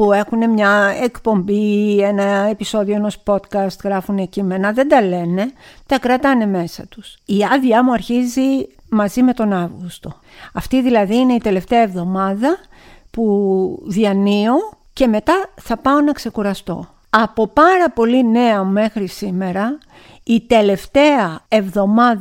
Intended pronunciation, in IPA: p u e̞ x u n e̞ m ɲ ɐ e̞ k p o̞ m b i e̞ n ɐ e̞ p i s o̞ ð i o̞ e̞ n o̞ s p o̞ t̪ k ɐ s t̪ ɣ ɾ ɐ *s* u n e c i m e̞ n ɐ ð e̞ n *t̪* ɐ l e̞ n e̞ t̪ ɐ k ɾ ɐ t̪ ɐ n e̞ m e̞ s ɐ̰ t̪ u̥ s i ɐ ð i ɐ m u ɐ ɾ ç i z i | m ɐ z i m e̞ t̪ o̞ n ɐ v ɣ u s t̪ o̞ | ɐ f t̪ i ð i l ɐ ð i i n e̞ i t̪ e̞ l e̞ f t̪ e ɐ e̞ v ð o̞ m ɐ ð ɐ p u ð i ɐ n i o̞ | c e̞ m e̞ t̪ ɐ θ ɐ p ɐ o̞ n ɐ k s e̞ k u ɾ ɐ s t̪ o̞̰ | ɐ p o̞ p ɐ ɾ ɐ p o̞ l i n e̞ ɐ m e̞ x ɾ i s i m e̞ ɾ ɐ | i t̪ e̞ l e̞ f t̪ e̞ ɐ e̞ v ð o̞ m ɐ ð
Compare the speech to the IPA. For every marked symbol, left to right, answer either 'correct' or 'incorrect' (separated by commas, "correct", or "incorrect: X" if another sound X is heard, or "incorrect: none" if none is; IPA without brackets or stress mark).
incorrect: f, incorrect: d̪